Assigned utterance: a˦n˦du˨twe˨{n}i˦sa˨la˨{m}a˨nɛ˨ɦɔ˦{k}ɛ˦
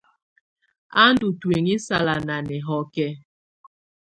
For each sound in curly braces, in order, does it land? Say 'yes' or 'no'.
no, no, yes

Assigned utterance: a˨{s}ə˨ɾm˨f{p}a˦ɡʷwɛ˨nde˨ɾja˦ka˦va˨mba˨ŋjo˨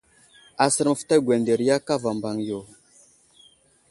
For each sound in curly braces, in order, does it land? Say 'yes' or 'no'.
yes, no

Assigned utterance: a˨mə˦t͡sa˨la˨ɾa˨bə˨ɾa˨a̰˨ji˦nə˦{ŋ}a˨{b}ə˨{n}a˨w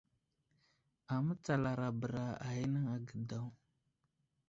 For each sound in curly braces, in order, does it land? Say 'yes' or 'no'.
yes, no, no

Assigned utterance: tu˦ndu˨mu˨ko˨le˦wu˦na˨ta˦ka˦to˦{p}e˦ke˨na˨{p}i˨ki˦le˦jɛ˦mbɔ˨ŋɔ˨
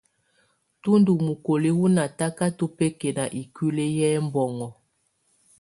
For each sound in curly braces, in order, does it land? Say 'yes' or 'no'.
yes, no

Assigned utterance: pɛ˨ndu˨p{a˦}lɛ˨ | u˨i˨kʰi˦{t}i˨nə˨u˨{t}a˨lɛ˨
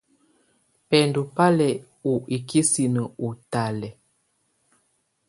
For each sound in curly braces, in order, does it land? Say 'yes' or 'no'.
yes, no, yes

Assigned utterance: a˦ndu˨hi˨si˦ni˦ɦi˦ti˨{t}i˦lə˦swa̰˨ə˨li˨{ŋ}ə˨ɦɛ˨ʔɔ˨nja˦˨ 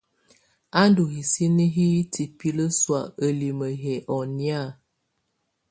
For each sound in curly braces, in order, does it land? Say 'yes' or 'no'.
no, no

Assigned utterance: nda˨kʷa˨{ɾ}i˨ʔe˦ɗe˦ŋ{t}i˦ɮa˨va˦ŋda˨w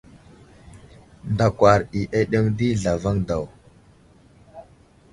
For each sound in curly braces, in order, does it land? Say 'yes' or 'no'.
yes, no

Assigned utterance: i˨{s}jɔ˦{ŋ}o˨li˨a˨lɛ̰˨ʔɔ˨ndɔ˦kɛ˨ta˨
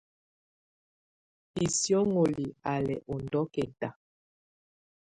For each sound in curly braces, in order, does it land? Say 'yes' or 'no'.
yes, yes

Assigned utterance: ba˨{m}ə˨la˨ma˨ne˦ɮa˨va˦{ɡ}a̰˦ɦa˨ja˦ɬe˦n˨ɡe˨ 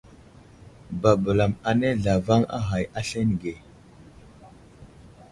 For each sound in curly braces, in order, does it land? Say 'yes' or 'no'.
no, no

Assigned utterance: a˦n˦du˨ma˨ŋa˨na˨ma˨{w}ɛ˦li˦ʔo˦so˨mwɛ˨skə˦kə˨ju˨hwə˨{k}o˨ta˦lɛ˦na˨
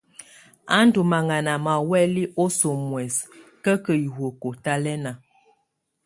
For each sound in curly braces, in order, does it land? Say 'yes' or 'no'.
yes, yes

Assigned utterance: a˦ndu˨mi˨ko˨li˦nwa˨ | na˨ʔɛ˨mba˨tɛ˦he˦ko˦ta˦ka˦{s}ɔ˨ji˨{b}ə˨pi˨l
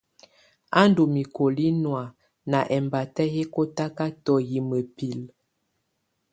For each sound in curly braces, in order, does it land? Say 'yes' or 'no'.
no, no

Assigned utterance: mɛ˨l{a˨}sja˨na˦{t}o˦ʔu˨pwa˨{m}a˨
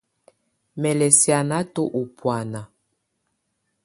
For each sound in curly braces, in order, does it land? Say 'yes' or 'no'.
no, yes, no

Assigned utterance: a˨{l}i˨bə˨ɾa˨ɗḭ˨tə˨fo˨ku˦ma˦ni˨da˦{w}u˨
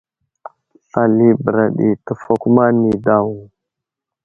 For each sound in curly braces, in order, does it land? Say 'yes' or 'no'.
yes, yes

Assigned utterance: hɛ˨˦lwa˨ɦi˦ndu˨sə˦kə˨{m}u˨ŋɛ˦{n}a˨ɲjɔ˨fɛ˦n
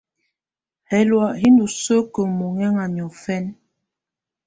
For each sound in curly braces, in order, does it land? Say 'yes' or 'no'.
yes, no

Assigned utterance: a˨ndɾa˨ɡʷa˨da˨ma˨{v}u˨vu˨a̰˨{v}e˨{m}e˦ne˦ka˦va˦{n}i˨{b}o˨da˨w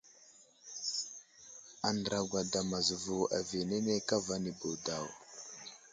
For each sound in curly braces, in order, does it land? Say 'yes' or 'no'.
no, yes, no, yes, yes

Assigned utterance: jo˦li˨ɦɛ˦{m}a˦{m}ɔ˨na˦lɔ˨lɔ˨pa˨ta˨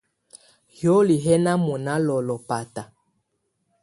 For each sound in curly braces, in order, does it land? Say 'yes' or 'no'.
no, yes

